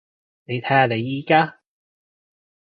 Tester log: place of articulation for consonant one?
alveolar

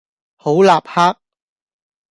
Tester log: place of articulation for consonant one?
glottal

